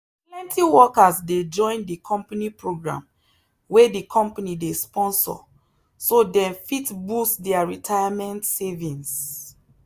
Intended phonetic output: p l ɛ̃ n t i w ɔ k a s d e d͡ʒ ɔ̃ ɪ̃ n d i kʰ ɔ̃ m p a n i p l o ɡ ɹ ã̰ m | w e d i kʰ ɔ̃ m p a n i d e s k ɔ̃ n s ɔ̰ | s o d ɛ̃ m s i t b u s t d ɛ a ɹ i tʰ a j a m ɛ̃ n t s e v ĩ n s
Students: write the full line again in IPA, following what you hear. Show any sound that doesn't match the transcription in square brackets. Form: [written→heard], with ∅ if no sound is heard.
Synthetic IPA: p l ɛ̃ n t i w ɔ k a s d e d͡ʒ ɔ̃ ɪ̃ n d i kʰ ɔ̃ m p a n i p [l→ɹ] o ɡ ɹ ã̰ m | w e d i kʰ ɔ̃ m p a n i d e s [k→p] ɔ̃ n s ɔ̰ | s o d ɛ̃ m [s→f] i t b u s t d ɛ a ɹ i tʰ a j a m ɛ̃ n t s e v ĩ n s